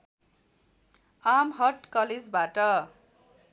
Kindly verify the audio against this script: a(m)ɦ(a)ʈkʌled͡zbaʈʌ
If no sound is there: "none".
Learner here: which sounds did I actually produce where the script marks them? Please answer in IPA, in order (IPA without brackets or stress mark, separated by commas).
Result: m, ʌ